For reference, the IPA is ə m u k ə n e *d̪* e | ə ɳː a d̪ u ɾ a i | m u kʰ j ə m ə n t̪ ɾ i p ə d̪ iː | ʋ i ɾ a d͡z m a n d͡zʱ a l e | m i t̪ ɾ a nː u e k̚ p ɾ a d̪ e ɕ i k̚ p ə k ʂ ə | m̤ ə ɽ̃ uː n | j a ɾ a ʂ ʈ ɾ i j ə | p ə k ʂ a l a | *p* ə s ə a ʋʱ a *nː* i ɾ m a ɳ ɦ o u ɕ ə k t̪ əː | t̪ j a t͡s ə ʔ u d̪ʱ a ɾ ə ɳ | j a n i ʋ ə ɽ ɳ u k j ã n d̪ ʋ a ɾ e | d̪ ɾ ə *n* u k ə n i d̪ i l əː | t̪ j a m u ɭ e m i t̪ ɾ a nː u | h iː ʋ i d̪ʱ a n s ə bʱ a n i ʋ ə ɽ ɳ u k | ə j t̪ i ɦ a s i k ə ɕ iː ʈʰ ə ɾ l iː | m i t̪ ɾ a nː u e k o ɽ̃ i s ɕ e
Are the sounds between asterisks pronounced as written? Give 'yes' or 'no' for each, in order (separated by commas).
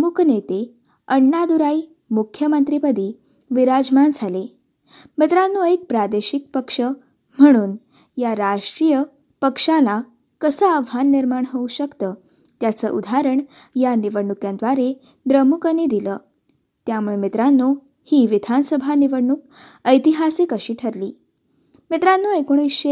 no, no, yes, no